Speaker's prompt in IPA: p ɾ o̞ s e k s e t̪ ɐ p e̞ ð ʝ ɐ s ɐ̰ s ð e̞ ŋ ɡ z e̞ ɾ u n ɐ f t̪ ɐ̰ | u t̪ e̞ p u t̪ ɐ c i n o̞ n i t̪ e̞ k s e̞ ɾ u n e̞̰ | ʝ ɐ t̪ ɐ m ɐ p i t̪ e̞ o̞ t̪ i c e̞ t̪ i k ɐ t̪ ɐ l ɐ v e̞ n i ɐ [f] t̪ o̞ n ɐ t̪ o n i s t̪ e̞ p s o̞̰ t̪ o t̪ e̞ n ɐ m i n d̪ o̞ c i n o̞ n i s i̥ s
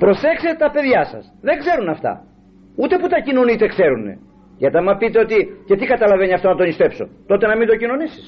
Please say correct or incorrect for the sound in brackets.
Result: correct